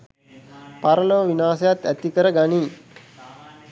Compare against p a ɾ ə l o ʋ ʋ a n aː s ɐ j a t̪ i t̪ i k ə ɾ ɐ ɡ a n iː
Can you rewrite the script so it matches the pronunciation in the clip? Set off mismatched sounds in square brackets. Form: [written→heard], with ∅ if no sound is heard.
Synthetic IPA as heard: p a ɾ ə l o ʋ ʋ [a→i] n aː s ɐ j a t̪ [i→æ] t̪ i k ə ɾ [ɐ→ə] ɡ a n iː

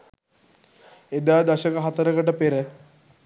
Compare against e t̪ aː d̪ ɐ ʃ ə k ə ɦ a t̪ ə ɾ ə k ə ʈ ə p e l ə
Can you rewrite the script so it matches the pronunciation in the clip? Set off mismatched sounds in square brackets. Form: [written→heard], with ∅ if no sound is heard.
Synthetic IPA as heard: e [t̪→d̪] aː d̪ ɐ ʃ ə k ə ɦ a t̪ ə ɾ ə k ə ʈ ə p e [l→ɾ] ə

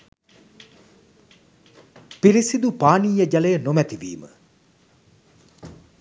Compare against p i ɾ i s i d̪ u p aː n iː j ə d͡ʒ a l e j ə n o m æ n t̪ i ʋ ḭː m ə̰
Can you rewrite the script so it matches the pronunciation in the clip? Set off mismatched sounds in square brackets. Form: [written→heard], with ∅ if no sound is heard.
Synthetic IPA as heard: p i ɾ i s i d̪ u p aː n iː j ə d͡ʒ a l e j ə n o m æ [n→∅] t̪ i ʋ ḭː m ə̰

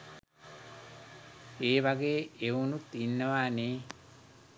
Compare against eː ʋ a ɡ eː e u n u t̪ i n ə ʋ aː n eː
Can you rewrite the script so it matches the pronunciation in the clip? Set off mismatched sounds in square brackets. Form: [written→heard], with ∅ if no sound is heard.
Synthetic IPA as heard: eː ʋ a ɡ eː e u n u t̪ i [n→nː] ə ʋ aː n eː

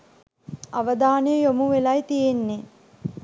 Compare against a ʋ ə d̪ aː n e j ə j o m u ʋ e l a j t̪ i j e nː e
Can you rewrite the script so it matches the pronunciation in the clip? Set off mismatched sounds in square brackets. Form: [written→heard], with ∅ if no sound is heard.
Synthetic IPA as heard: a ʋ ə d̪ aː n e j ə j o m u ʋ e l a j t̪ i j e nː e

